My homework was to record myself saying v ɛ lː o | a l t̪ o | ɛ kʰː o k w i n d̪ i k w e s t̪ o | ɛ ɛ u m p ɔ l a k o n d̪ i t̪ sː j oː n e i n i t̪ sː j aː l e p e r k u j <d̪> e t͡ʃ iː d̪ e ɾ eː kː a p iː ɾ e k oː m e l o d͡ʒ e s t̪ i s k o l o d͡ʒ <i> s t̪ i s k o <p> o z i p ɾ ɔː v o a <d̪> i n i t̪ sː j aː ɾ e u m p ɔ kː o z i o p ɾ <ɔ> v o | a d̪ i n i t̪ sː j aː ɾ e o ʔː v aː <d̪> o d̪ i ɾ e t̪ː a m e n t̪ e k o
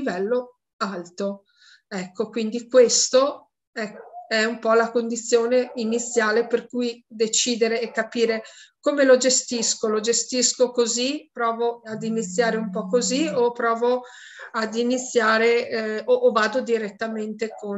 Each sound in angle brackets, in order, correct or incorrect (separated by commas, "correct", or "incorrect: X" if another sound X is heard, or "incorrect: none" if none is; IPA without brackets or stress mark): correct, incorrect: e, incorrect: k, correct, incorrect: ɔː, correct